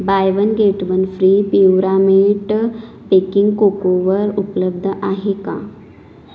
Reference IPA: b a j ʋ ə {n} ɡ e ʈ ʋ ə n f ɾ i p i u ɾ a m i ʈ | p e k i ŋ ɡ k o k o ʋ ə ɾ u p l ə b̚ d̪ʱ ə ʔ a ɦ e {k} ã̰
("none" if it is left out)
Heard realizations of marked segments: n, k

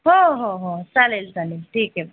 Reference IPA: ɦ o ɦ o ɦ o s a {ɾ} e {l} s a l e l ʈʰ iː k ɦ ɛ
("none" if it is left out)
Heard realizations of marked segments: l, l

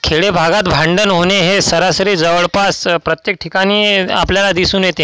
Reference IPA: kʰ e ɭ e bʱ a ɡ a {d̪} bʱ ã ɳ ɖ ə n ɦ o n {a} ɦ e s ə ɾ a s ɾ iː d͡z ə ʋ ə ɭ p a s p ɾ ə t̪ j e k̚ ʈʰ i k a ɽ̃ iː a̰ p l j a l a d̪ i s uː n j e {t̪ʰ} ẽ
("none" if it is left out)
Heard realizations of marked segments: t̪, e, t̪

